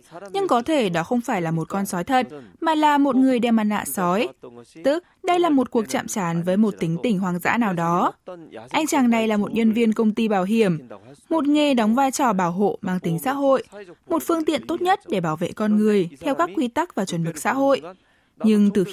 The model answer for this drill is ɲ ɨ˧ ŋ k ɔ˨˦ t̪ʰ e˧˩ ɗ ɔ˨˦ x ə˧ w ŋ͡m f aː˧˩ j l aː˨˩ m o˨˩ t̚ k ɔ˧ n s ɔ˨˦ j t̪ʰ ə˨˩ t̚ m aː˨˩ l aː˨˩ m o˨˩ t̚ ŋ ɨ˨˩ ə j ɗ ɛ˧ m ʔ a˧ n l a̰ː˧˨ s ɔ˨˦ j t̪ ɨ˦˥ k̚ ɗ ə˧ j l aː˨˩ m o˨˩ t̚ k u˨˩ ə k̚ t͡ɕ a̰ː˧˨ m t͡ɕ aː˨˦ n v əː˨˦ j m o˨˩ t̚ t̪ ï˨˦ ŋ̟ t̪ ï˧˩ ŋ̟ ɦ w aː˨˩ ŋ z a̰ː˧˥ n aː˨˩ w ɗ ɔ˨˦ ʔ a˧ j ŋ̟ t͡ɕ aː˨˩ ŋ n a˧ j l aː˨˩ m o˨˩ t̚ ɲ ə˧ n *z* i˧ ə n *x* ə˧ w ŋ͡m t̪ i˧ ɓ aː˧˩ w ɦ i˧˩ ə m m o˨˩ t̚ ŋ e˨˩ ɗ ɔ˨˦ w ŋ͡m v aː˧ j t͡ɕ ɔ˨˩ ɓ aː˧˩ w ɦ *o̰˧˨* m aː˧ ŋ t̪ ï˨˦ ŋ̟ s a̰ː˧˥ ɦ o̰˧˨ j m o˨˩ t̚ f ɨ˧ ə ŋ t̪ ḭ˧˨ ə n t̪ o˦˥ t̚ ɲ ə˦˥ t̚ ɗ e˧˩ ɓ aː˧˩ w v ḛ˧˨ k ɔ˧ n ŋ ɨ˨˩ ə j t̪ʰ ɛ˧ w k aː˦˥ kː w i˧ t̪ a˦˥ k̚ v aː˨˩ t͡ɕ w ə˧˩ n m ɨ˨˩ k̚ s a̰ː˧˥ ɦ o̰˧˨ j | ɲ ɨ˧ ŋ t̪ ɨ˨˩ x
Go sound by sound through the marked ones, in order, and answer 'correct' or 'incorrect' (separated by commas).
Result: incorrect, incorrect, correct